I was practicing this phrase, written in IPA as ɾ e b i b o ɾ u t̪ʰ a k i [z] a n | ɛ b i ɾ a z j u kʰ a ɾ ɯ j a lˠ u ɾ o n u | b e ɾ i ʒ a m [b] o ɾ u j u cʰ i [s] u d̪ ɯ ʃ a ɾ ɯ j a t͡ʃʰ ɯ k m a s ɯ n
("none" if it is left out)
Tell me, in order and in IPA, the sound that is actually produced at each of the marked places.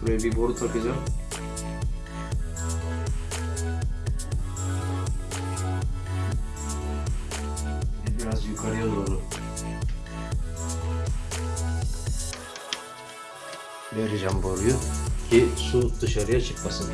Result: z, b, s

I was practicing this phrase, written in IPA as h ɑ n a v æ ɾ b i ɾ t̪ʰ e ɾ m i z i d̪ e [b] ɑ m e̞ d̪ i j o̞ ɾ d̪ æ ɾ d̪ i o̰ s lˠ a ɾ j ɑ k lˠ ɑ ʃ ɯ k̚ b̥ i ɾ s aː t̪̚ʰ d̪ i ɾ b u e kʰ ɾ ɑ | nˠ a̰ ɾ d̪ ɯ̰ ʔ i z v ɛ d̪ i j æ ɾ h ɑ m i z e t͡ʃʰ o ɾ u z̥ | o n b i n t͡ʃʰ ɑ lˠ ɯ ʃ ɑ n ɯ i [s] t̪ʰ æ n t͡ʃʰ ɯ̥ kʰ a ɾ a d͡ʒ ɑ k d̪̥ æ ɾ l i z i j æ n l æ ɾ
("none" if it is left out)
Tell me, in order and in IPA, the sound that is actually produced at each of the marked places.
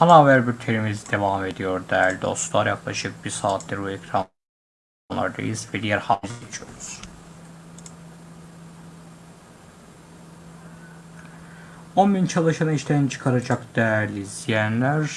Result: v, ʃ

